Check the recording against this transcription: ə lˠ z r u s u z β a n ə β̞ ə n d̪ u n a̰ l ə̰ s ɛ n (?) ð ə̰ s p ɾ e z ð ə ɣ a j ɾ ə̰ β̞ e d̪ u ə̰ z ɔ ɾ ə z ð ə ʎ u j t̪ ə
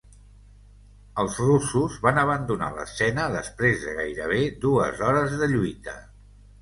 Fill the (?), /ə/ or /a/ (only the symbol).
ə